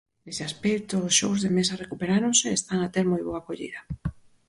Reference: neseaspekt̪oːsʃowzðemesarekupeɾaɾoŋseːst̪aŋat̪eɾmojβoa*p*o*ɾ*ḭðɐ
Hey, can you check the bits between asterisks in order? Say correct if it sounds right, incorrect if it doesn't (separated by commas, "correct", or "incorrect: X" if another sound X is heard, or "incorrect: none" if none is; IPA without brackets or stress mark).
incorrect: k, incorrect: ʎ